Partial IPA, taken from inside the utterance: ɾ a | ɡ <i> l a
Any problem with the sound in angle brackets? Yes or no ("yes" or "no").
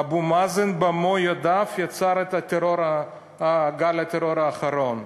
yes